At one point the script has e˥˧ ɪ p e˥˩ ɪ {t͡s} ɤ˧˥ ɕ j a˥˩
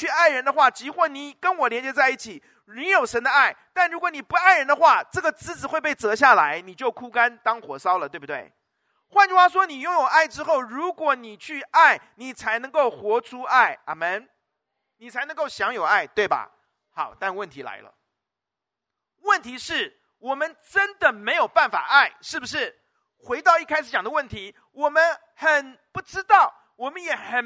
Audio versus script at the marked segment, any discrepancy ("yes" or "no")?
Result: no